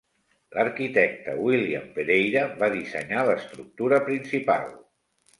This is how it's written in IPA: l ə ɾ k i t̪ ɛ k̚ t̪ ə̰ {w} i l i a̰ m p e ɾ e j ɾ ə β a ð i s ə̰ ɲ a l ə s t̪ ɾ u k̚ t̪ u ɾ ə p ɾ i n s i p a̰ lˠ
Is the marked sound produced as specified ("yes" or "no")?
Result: yes